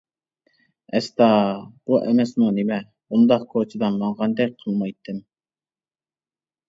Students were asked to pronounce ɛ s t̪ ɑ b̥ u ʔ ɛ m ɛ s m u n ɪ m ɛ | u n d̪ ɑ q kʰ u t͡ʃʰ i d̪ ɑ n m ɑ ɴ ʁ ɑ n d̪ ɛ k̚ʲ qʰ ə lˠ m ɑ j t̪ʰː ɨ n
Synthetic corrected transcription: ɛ s t̪ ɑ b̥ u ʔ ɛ m ɛ s m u n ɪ m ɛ | u n d̪ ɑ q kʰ o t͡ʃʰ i d̪ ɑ n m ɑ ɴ ʁ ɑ n d̪ ɛ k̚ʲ qʰ ə lˠ m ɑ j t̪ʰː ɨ m

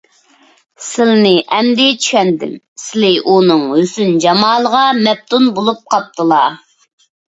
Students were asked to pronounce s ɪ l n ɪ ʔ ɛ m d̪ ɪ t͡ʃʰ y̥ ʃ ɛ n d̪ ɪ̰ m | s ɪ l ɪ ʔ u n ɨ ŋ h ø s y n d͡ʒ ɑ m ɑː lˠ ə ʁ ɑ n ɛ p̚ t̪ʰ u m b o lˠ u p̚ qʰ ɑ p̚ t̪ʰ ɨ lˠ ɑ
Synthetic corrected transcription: s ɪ l n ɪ ʔ ɛ m d̪ ɪ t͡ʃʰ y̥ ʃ ɛ n d̪ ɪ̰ m | s ɪ l ɪ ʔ u n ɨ ŋ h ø s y n d͡ʒ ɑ m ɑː lˠ ə ʁ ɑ m ɛ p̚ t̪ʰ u n b o lˠ u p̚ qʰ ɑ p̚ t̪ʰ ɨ lˠ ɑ

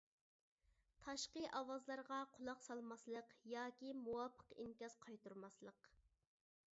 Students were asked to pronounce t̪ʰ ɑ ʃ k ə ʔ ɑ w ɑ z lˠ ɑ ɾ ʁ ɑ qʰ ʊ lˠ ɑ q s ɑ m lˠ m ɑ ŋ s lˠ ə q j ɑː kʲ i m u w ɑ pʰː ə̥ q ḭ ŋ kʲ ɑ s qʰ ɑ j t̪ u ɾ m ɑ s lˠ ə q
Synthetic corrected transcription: t̪ʰ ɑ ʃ q ə ʔ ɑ w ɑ z lˠ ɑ ɾ ʁ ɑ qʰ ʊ lˠ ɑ q s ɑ lˠ m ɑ s lˠ ə q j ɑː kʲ i m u w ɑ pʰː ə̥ q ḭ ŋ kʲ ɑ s qʰ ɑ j t̪ u ɾ m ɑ s lˠ ə q

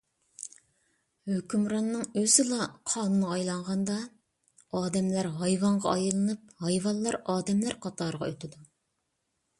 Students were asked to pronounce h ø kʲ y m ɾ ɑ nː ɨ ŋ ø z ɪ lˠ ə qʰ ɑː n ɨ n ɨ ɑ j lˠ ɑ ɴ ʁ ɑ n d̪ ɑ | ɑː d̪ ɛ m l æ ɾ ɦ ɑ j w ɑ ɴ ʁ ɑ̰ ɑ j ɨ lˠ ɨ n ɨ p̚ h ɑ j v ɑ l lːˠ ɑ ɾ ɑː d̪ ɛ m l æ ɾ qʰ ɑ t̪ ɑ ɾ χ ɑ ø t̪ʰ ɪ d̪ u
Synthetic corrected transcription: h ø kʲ y m ɾ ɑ nː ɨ ŋ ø z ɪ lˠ ɑ qʰ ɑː n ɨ n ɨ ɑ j lˠ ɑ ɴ ʁ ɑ n d̪ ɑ | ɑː d̪ ɛ m l æ ɾ ɦ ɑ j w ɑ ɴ ʁ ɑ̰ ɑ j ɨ lˠ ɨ n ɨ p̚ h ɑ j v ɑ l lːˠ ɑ ɾ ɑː d̪ ɛ m l æ ɾ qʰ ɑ t̪ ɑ ɾ ʁ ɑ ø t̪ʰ ɪ d̪ u

